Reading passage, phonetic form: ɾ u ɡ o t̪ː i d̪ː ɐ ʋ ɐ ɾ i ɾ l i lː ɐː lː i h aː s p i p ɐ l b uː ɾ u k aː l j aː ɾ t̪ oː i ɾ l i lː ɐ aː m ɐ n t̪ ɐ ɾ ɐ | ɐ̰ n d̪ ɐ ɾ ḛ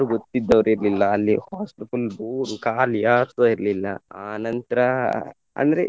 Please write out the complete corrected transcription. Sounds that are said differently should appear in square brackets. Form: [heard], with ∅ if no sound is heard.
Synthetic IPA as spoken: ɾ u ɡ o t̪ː i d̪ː ɐ ʋ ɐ ɾ i ɾ l i lː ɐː lː i h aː s p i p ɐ l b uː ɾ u k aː l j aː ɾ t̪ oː i ɾ l i lː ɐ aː [n] ɐ n t̪ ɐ ɾ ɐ | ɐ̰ n d̪ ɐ ɾ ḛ